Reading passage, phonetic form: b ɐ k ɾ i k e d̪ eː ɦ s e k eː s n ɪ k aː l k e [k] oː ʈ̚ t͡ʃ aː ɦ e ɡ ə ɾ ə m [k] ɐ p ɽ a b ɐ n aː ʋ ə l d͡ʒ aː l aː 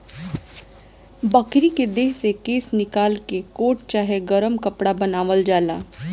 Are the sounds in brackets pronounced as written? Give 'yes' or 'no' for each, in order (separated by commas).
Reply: yes, yes